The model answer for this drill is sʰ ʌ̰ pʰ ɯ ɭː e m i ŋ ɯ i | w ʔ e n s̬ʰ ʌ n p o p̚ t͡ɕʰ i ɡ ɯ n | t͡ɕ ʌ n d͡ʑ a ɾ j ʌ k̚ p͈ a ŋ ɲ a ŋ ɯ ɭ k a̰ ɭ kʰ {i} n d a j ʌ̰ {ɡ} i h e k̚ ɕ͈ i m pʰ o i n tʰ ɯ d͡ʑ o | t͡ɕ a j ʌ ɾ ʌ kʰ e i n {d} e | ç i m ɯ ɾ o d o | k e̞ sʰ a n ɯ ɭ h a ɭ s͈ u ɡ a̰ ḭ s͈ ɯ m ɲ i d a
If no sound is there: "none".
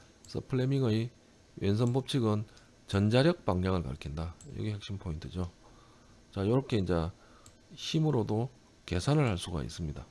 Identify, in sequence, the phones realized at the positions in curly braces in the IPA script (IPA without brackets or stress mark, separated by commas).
i, ɡ, d͡ʑ